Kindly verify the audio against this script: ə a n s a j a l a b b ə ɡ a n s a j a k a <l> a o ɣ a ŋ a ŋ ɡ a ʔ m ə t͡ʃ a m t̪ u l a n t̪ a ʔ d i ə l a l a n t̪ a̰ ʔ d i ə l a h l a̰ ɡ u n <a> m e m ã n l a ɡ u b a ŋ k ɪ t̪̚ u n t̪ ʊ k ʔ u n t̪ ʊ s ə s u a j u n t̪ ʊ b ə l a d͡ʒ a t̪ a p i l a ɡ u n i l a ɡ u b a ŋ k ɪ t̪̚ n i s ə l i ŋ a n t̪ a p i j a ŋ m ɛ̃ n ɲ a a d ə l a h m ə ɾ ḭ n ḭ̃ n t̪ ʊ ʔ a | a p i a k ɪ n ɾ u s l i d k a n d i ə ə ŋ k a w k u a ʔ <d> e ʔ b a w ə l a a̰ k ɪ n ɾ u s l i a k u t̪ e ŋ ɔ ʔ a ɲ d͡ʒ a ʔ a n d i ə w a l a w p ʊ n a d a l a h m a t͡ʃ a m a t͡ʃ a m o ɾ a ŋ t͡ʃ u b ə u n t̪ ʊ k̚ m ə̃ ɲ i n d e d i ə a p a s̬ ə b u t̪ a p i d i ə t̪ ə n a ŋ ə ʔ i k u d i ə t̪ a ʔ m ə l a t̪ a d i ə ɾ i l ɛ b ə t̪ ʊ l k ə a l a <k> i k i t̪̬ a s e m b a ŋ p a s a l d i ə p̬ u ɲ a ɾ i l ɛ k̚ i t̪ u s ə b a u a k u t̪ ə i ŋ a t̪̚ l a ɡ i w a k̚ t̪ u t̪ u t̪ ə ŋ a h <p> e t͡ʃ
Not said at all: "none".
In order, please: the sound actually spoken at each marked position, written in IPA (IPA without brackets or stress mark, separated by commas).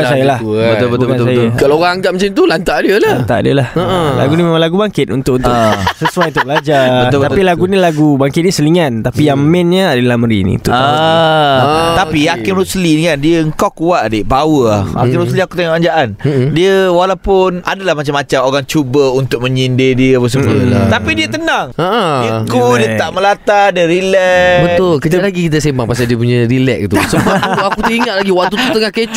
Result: l, i, d, ɡ, k